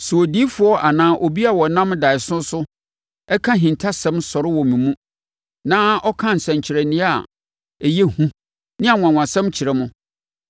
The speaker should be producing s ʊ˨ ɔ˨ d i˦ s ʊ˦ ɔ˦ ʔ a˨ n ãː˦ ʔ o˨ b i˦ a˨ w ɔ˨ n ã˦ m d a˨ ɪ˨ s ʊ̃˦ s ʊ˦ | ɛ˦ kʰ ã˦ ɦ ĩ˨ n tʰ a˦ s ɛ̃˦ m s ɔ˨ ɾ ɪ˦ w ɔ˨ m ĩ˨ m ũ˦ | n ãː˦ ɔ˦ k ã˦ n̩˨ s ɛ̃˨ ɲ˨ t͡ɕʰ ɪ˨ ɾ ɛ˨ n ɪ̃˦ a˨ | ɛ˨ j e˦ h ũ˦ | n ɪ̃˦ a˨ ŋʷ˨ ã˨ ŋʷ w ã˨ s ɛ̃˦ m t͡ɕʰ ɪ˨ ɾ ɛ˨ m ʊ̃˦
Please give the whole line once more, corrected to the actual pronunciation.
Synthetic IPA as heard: s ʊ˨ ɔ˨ d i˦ f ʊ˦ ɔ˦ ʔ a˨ n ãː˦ ʔ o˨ b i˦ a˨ w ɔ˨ n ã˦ m d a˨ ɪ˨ s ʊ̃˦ s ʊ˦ | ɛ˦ kʰ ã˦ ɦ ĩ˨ n tʰ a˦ s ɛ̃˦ m s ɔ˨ ɾ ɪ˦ w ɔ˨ m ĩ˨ m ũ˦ | n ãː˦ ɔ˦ kʰ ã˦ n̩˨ s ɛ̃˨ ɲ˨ t͡ɕʰ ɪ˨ ɾ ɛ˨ n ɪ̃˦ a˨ | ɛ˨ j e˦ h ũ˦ | n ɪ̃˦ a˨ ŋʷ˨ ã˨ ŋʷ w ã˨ s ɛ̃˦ m t͡ɕʰ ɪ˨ ɾ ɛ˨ m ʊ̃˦